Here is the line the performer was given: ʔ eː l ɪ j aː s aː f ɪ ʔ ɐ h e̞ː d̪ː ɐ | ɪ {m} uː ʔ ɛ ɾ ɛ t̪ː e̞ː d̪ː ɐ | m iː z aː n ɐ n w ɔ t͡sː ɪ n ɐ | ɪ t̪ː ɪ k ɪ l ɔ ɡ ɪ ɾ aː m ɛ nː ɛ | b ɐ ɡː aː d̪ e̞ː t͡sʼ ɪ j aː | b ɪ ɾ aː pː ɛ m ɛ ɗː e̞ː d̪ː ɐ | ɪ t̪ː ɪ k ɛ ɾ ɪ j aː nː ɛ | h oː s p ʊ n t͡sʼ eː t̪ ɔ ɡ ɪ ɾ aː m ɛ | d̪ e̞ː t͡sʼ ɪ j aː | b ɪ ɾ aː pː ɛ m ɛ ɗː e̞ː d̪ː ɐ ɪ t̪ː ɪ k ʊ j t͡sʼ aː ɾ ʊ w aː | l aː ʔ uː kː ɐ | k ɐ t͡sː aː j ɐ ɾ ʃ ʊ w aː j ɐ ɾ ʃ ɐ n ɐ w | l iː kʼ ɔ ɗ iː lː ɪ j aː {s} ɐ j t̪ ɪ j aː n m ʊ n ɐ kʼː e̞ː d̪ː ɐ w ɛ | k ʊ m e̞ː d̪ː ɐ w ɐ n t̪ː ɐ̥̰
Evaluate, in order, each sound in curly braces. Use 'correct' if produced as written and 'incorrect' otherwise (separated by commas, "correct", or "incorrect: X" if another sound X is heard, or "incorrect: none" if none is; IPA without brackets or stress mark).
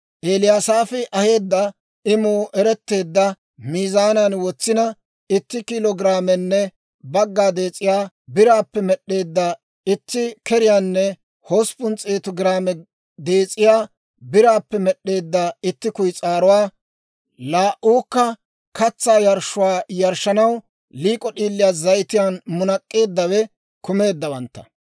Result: correct, incorrect: z